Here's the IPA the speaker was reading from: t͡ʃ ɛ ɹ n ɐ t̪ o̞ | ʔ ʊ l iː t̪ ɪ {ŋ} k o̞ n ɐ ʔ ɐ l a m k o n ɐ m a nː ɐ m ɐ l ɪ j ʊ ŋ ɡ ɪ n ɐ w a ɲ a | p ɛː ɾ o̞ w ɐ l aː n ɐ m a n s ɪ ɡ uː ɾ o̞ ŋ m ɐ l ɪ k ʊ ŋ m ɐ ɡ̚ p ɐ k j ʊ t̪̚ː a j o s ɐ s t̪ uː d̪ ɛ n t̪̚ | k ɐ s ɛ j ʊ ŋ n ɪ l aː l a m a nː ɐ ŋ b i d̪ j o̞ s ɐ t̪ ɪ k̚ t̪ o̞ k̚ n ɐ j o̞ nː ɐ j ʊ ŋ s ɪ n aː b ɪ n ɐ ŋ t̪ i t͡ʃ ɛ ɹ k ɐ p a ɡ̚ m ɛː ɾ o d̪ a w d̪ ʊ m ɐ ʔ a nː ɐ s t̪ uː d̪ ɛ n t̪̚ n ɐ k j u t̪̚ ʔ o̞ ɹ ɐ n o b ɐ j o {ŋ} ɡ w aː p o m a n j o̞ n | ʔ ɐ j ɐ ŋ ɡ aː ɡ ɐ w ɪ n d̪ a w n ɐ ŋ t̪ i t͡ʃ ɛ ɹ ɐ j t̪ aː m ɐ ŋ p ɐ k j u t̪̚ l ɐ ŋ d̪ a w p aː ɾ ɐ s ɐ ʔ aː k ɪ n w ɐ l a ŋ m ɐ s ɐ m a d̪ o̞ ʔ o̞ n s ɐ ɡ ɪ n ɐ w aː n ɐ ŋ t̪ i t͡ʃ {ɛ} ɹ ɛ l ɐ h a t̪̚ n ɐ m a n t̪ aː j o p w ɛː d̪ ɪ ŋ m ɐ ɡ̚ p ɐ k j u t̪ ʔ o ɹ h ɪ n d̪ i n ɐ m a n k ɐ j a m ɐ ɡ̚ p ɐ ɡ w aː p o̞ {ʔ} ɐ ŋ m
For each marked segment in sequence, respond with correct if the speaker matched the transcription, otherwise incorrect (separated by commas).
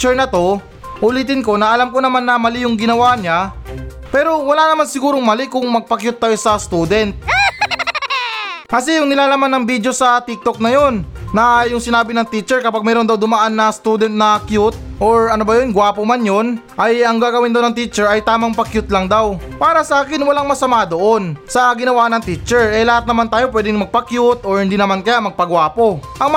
incorrect, incorrect, correct, correct